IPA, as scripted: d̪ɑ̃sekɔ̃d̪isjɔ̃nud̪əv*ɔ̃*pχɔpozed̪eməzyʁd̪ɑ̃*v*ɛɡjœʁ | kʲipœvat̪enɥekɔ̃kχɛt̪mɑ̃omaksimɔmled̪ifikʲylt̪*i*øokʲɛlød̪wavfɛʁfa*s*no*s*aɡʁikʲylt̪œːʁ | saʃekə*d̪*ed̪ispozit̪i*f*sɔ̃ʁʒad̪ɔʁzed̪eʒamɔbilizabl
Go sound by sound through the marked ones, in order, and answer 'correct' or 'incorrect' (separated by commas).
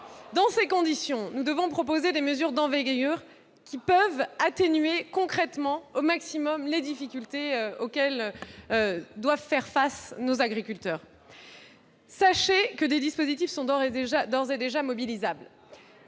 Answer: correct, correct, incorrect, correct, incorrect, correct, correct